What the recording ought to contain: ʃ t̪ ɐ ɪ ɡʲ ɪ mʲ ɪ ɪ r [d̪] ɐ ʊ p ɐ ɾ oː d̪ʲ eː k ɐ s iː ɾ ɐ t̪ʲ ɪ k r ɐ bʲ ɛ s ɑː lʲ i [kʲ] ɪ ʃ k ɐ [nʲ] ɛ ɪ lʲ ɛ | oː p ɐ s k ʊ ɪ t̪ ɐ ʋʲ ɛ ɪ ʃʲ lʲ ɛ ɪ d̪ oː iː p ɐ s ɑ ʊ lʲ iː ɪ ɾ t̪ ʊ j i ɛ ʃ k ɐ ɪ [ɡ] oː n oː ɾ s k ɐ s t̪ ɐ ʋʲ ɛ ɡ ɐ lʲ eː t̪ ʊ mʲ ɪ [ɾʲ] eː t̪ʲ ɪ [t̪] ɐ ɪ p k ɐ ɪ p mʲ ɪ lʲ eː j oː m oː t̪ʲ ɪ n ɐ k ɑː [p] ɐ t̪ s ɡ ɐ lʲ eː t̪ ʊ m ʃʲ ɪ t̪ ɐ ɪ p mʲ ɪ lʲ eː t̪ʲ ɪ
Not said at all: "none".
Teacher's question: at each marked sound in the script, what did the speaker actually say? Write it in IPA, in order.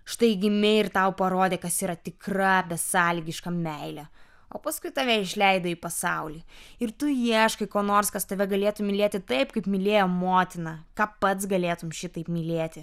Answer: t̪, ɡʲ, mʲ, k, lʲ, t̪, p

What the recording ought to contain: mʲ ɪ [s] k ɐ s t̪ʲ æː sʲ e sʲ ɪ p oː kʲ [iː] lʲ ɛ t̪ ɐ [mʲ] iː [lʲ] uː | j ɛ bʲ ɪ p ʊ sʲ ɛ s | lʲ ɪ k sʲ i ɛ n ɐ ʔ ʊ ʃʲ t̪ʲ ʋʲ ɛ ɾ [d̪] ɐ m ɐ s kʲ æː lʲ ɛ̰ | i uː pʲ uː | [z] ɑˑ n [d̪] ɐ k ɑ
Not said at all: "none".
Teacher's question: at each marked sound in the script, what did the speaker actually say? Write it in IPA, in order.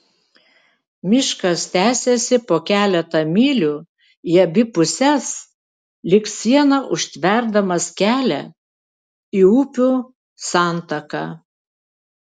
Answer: ʃ, æː, mʲ, lʲ, d̪, s, t̪

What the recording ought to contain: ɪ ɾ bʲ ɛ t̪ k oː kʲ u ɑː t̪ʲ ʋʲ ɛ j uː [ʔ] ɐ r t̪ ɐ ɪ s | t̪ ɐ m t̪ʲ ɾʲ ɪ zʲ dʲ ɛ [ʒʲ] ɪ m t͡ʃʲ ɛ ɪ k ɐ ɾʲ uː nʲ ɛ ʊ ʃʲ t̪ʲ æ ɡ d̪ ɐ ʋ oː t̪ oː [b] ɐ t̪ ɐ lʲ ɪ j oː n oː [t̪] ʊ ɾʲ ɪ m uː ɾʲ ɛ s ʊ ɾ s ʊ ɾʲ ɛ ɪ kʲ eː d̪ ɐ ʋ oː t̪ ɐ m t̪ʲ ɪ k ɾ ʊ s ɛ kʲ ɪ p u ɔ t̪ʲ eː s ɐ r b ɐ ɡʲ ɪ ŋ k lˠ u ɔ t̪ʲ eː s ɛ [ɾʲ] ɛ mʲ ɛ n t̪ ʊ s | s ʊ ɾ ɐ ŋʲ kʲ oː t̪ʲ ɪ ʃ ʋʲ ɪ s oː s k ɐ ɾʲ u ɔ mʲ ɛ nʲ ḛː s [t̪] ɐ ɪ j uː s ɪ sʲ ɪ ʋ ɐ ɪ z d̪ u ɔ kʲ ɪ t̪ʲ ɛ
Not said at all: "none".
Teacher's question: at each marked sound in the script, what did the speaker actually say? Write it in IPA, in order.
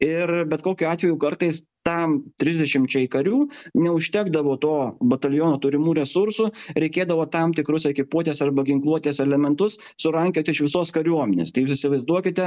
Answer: k, ʃʲ, b, t̪, lʲ, t̪

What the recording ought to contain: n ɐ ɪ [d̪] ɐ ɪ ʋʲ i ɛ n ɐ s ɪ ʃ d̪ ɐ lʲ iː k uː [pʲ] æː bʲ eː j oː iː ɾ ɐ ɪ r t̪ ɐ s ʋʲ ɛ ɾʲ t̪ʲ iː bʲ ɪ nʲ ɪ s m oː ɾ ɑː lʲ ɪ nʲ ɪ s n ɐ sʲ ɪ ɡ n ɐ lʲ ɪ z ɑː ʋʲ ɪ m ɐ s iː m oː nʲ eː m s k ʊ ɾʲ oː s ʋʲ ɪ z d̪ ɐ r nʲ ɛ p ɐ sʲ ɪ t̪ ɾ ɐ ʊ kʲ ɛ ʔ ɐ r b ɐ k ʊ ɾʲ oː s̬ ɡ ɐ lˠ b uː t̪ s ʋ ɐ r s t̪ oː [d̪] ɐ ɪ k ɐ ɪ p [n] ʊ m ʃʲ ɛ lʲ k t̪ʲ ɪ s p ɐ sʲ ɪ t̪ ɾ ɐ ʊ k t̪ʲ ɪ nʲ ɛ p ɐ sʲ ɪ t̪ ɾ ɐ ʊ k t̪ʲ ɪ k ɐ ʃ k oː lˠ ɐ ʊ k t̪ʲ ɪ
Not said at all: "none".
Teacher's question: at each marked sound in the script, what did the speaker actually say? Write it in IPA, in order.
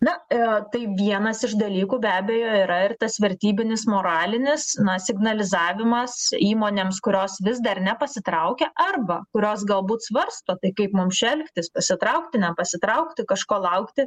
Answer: t̪, bʲ, t̪, m

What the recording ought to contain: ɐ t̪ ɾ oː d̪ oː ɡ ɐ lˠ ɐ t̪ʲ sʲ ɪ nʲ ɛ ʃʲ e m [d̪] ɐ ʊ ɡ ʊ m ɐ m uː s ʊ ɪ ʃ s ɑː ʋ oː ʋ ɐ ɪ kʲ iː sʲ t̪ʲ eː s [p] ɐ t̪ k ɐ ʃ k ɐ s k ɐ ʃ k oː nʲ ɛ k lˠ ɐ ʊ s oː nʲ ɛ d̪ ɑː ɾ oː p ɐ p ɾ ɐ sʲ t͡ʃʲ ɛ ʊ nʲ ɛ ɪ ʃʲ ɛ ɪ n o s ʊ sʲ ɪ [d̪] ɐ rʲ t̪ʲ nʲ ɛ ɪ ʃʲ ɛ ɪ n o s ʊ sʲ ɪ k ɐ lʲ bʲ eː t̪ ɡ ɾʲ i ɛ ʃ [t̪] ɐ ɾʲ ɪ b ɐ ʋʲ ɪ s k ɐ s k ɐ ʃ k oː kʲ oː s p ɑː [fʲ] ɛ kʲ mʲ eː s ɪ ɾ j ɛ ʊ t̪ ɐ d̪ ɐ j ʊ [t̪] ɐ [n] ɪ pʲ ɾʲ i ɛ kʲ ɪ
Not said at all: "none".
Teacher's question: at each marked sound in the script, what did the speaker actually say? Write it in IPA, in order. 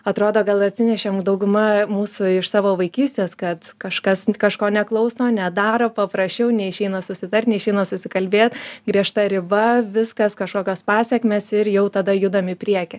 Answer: d̪, k, t̪, t̪, sʲ, d̪, m

